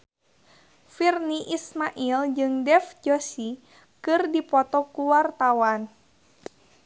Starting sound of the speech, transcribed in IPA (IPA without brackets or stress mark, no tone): f